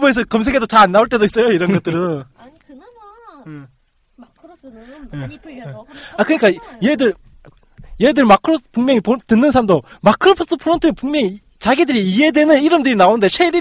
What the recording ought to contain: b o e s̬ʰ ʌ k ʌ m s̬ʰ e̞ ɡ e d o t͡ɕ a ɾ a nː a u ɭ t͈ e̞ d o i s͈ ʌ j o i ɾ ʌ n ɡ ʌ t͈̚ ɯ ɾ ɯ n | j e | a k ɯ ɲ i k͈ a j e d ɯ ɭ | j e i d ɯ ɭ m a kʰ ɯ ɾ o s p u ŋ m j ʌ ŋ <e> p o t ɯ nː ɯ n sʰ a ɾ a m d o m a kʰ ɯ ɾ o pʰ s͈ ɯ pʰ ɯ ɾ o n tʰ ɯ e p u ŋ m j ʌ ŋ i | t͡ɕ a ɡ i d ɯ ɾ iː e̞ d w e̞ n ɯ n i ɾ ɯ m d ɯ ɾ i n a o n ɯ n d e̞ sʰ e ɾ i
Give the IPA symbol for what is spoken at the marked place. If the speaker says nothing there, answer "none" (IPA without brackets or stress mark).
i